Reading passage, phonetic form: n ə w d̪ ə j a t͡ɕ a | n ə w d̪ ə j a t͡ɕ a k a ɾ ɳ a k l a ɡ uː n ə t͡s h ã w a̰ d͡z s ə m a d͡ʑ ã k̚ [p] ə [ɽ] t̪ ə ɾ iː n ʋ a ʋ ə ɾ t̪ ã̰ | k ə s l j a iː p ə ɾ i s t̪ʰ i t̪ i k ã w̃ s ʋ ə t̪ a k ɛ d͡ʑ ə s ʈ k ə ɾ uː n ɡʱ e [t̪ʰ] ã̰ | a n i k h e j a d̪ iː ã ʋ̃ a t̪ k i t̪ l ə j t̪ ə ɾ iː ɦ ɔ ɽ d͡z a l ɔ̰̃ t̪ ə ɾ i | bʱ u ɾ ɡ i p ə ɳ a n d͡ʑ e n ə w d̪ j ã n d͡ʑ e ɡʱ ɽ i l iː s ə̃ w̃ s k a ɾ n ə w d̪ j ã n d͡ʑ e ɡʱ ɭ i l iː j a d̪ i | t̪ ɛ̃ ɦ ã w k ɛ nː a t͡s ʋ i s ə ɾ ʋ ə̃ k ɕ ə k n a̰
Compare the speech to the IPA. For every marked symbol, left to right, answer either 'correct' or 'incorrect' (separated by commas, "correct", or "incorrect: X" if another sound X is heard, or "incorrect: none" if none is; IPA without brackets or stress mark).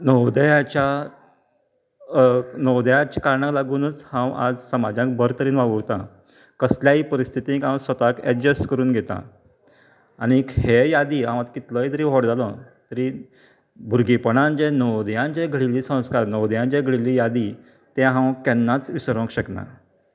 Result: incorrect: b, incorrect: ɾ, incorrect: t̪